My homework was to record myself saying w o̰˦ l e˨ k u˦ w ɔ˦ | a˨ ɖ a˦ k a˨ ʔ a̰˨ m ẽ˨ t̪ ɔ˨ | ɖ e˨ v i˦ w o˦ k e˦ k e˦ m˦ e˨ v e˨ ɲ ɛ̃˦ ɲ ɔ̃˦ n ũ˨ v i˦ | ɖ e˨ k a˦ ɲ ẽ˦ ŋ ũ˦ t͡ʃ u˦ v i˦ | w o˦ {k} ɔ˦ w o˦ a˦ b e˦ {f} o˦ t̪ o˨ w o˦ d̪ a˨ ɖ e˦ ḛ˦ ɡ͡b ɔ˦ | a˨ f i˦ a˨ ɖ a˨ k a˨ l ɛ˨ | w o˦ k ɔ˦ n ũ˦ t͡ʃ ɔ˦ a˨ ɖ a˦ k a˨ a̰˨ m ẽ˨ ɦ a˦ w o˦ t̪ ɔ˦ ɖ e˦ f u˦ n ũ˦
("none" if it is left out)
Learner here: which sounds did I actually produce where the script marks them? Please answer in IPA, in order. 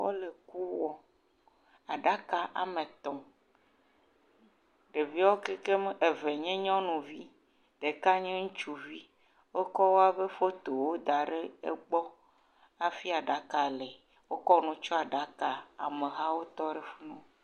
k, f

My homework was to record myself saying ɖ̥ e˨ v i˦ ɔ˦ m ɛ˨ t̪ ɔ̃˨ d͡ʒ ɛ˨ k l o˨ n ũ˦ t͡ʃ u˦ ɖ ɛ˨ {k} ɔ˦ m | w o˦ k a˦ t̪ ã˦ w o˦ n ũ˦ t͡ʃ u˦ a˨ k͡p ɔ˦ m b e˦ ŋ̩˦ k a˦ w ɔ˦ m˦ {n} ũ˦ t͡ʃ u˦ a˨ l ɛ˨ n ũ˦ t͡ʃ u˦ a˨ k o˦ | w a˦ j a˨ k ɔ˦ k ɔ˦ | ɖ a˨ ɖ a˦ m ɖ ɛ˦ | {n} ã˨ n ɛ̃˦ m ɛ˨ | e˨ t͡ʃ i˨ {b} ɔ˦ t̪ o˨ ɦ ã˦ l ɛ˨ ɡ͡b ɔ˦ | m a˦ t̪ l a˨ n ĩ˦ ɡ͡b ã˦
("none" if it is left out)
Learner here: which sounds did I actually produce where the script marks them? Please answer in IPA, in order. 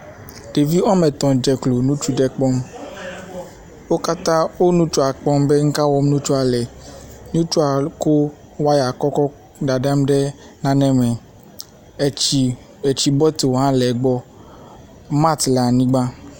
k͡p, n, n, b

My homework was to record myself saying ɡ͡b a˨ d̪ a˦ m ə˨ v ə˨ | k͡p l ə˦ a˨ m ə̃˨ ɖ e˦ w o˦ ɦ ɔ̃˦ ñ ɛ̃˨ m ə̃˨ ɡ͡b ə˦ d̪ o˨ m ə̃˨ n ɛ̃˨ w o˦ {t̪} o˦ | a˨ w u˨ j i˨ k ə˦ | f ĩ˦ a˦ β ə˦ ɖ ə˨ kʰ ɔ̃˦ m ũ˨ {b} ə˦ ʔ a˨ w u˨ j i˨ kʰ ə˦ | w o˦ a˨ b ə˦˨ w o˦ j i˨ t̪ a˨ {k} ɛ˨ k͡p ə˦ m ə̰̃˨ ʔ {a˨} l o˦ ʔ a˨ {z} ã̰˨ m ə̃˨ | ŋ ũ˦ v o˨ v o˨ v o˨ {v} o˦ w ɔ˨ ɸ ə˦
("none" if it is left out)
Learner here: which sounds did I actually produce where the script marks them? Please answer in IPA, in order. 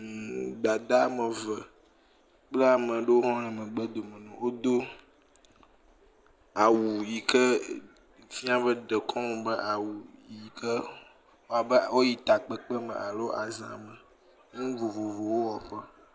d̪, b, k͡p, a˨, z, w

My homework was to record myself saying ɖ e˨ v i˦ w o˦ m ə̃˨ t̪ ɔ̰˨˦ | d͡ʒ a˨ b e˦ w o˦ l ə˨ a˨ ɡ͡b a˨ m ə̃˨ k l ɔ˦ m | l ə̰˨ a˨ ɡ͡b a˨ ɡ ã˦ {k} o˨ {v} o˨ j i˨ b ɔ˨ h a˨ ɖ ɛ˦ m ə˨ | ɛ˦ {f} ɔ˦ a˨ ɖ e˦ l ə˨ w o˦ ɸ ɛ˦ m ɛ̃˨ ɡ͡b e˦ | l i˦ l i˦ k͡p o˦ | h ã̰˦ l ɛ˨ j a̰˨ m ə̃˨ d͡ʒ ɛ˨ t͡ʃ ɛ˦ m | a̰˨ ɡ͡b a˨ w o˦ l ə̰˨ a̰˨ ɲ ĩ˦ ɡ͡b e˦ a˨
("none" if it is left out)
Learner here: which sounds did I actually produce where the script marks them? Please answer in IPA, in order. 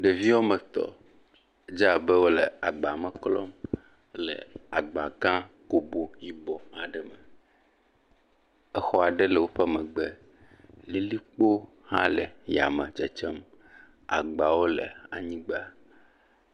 k, b, x

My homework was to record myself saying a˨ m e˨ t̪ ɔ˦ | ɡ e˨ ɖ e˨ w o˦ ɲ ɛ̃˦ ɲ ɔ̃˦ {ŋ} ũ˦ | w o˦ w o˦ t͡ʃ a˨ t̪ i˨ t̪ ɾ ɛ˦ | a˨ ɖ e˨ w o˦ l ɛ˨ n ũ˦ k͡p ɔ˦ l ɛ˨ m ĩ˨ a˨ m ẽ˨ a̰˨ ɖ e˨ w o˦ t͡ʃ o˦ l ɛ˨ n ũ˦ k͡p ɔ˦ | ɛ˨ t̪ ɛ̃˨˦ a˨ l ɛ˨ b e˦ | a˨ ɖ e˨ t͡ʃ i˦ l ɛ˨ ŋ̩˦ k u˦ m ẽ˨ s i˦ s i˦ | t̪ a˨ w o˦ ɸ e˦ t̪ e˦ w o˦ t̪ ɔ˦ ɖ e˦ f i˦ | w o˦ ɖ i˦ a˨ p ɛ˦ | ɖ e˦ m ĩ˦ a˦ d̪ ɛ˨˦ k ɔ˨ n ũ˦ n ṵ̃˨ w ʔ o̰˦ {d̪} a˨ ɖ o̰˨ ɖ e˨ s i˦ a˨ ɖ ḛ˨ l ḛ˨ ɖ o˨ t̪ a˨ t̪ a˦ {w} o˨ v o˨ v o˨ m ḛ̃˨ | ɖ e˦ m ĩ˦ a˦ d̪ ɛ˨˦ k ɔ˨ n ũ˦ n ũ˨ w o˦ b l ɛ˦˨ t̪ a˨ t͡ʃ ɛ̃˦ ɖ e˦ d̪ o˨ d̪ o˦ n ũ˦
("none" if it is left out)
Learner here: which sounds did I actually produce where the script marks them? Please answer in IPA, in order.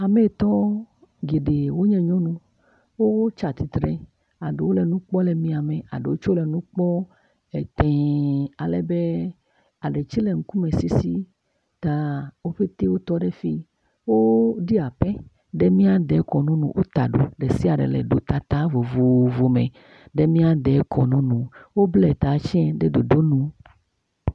n, t̪, v

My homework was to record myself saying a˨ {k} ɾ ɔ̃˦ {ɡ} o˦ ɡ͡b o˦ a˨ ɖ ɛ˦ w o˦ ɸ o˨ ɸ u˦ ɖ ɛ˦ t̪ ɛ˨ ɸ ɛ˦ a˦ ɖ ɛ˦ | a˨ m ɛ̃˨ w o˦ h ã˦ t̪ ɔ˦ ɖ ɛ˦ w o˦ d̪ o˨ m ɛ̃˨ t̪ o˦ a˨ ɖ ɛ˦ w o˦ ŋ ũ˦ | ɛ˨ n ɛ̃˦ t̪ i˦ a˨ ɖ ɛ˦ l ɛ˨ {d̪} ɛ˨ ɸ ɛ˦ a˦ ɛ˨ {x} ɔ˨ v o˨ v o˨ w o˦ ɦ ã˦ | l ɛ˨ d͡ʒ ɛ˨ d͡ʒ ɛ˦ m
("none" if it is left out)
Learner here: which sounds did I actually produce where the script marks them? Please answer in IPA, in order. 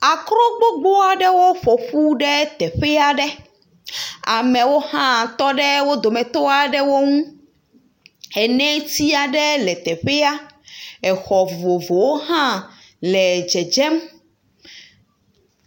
k, ɡ͡b, t̪, x

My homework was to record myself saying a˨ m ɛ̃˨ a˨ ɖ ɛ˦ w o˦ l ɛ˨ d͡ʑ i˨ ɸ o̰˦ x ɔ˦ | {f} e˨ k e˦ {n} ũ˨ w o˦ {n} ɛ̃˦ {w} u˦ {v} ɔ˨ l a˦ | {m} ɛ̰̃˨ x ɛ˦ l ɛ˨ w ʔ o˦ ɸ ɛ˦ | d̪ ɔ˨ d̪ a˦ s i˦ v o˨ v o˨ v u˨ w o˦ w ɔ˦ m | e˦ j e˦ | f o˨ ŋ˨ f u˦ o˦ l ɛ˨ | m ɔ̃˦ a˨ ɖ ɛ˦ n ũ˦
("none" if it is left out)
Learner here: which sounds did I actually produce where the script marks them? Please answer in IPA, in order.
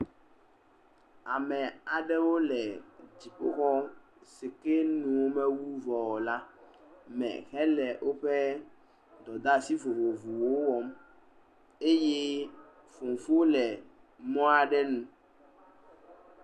s, n, m, w, v, m

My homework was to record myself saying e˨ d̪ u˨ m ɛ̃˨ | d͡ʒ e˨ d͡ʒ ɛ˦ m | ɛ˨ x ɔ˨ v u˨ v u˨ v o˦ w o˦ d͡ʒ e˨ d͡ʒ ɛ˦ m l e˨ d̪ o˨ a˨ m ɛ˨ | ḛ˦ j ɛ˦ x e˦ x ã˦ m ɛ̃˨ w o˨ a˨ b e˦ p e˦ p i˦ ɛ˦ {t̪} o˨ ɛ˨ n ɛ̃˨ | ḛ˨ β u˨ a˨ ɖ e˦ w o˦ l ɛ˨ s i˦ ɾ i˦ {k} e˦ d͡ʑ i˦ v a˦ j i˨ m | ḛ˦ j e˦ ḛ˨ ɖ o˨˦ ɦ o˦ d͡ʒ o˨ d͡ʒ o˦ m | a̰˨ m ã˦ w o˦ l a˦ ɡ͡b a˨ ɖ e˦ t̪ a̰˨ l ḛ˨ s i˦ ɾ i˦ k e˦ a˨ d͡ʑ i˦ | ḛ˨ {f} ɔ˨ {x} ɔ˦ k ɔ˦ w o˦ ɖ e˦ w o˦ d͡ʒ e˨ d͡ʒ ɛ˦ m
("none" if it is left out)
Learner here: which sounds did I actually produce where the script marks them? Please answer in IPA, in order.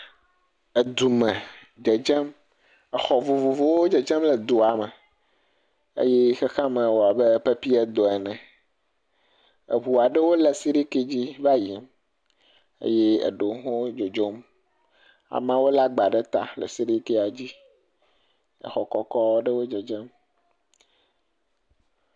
d̪, k, x, k

